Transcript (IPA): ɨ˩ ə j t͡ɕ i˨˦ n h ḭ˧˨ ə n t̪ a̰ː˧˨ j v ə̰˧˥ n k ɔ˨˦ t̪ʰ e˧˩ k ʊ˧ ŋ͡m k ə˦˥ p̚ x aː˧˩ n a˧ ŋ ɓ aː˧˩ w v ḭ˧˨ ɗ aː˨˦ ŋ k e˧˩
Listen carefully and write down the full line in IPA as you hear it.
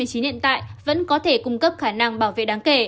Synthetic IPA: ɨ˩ ə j t͡ɕ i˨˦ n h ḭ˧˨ ə n t̪ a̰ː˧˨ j v ə̰˧˥ n k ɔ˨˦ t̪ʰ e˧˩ k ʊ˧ ŋ͡m k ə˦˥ p̚ x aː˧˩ n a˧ ŋ ɓ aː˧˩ w v ḛ˧˨ ɗ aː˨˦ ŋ k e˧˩